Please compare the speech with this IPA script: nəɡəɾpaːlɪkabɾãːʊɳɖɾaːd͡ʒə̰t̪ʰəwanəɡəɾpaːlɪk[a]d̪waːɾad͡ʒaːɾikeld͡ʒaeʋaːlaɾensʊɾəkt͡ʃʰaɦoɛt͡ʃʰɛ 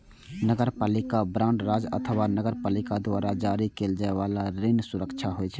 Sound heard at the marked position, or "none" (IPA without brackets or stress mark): a